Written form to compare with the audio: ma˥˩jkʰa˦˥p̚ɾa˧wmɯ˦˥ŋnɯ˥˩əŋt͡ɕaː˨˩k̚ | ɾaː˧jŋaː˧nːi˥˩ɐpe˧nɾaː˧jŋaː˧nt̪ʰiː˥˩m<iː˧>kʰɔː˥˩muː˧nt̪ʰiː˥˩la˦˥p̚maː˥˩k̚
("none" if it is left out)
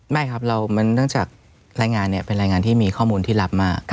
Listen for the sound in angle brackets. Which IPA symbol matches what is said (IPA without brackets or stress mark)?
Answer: iː˧